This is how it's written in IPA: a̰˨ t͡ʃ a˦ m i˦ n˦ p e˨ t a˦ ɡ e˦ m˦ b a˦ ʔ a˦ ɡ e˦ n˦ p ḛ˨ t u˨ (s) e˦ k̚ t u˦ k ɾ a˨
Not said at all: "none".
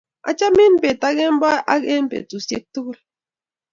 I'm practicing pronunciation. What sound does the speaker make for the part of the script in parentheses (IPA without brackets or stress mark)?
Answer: s